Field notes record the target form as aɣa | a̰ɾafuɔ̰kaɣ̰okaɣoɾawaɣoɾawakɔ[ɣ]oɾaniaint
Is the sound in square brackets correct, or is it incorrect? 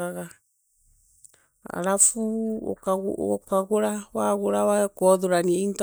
incorrect